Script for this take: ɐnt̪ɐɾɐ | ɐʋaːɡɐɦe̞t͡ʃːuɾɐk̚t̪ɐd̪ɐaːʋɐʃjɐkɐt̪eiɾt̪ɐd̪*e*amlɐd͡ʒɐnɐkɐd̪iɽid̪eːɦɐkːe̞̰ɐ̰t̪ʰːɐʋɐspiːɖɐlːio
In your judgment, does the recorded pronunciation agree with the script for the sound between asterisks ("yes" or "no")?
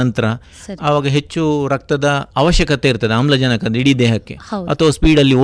yes